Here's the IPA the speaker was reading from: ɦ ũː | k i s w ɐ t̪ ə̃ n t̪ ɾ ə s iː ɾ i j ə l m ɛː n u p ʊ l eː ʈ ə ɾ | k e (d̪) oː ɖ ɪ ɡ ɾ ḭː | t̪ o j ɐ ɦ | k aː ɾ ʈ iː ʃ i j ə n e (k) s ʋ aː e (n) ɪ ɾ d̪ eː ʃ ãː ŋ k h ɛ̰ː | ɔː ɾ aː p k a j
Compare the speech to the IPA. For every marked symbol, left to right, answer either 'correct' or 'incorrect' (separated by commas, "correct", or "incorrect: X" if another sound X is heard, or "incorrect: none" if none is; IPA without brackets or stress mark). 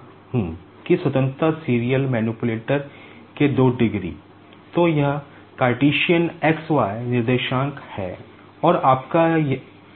correct, correct, correct